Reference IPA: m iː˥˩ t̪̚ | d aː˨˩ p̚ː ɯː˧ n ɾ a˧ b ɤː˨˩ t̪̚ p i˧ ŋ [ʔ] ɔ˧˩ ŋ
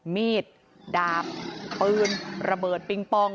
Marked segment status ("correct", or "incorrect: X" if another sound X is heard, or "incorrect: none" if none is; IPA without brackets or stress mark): incorrect: p